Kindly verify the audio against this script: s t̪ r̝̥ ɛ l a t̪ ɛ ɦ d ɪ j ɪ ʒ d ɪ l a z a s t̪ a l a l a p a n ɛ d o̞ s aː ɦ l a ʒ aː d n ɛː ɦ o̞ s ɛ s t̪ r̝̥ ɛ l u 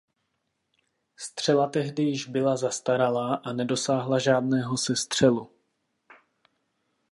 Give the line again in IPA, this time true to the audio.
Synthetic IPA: s t̪ r̝̥ ɛ l a t̪ ɛ ɦ d ɪ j ɪ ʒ b ɪ l a z a s t̪ a ɾ a l a ʔ a n ɛ d o̞ s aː ɦ l a ʒ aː d n ɛː ɦ o̞ s ɛ s t̪ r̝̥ ɛ l u